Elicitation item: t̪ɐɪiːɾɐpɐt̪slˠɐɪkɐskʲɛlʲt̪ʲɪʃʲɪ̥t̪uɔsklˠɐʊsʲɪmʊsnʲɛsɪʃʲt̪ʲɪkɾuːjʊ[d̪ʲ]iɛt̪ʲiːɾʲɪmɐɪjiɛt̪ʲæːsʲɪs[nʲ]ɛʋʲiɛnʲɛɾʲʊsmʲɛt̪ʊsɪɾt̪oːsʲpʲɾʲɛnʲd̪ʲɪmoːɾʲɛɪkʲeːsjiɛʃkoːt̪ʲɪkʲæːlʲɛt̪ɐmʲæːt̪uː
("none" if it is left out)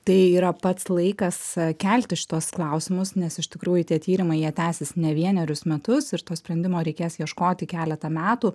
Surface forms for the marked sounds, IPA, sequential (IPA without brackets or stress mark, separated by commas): t̪ʲ, nʲ